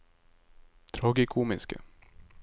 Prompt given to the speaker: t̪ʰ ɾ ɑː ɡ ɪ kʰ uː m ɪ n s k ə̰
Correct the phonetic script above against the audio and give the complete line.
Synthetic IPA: t̪ʰ ɾ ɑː ɡ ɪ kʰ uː m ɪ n s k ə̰